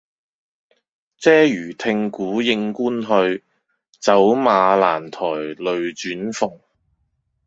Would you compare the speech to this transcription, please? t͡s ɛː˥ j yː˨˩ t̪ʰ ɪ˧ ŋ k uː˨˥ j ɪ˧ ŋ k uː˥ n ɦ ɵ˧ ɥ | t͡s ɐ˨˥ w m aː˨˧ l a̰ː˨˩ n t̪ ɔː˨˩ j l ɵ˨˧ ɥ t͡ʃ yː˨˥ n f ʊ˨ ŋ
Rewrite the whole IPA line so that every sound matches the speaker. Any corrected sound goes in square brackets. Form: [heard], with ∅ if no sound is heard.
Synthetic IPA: t͡s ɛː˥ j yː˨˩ t̪ʰ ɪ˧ ŋ k uː˨˥ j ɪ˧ ŋ k uː˥ n ɦ ɵ˧ ɥ | t͡s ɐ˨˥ w m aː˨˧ l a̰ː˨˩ n [t̪ʰ] ɔː˨˩ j l ɵ˨˧ ɥ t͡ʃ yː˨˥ n f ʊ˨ ŋ

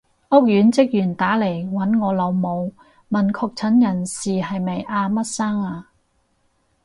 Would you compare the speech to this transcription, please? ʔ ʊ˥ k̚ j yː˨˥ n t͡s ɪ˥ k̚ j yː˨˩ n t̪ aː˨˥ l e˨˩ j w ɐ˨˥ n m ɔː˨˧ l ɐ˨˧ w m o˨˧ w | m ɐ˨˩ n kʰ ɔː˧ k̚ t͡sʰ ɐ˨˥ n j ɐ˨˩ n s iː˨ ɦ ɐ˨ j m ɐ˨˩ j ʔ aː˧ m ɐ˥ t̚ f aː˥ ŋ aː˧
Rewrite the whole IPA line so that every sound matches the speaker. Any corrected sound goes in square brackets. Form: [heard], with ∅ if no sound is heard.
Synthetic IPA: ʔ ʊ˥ k̚ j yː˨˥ n t͡s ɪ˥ k̚ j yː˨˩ n t̪ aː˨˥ l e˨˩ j w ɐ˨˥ n [ŋ] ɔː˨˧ l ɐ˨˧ w m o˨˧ w | m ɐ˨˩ n kʰ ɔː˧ k̚ t͡sʰ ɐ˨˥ n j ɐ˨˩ n s iː˨ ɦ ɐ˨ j m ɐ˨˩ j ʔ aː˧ m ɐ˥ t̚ [s] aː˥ ŋ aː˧

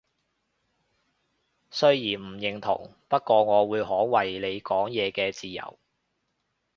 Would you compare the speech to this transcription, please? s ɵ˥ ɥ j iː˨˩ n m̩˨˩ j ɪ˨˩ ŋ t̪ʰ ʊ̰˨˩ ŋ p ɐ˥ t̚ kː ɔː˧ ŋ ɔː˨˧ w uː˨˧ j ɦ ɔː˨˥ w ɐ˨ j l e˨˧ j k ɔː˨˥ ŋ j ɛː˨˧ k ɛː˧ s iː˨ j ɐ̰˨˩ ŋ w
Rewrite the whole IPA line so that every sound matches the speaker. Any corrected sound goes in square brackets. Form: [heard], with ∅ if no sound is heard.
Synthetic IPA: s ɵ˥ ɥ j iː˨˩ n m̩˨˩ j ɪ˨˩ ŋ t̪ʰ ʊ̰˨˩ ŋ p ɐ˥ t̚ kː ɔː˧ ŋ ɔː˨˧ w uː˨˧ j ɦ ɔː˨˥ w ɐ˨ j l e˨˧ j k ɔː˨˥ ŋ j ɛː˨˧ k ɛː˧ [t͡s] iː˨ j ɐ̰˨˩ [∅] w

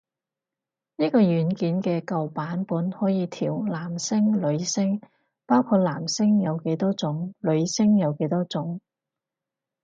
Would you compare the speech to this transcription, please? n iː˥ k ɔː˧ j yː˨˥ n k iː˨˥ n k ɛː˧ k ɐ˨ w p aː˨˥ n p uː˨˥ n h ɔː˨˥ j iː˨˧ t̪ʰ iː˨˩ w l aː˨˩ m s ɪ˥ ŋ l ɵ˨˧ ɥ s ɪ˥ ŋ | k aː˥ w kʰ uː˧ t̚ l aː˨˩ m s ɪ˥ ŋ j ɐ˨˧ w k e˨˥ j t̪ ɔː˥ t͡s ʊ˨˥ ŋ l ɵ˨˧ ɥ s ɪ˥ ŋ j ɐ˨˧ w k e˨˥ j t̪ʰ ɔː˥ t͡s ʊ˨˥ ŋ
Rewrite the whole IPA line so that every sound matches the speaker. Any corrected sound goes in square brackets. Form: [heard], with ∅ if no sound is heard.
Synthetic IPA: n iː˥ k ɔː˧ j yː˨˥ n k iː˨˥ n k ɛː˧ k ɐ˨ w p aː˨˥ n p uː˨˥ n h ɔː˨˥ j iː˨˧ t̪ʰ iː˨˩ w l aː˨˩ m s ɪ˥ ŋ l ɵ˨˧ ɥ s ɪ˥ ŋ | [p] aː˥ w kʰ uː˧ t̚ l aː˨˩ m s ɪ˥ ŋ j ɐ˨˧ w k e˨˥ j t̪ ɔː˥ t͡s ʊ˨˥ ŋ l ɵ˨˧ ɥ s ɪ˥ ŋ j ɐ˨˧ w k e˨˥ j [t̪] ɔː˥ t͡s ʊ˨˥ ŋ

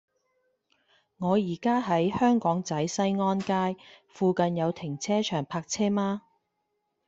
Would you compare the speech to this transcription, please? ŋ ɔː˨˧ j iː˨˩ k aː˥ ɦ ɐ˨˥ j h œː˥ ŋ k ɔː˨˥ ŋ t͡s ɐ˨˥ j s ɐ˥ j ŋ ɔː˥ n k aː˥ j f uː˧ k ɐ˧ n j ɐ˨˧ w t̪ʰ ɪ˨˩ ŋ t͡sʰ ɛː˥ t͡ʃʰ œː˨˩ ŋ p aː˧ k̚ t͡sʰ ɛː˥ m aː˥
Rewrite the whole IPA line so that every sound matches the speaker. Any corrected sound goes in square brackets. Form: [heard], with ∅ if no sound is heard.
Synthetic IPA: ŋ ɔː˨˧ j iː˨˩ k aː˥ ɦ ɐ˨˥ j h œː˥ ŋ k ɔː˨˥ ŋ t͡s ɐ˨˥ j s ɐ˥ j ŋ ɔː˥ n k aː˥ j f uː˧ k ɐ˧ n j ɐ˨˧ w t̪ʰ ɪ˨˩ ŋ t͡sʰ ɛː˥ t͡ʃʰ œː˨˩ ŋ [pʰ] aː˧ k̚ t͡sʰ ɛː˥ m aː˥

